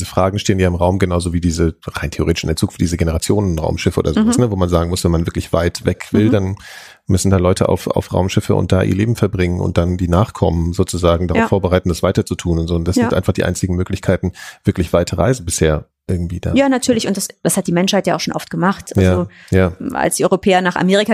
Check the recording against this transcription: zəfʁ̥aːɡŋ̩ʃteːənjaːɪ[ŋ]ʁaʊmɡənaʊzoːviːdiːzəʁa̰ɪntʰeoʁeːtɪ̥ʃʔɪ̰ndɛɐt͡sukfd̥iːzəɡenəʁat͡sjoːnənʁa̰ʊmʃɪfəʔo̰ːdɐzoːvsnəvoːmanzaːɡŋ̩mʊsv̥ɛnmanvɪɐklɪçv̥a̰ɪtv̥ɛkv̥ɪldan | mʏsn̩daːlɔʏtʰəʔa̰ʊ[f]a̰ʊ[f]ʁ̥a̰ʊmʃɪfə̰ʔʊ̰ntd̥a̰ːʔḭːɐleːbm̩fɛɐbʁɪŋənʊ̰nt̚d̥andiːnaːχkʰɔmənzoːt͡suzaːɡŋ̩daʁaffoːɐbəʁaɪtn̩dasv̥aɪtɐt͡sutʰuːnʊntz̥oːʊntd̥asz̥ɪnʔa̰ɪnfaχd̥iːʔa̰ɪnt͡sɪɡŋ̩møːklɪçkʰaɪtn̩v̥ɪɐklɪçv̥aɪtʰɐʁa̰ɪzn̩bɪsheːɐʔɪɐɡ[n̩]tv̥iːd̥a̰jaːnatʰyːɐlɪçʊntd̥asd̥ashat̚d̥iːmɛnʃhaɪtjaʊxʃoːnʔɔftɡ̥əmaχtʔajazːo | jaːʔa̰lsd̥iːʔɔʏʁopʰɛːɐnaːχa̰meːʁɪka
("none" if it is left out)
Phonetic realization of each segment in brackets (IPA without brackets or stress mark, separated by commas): m, f, f, ŋ̩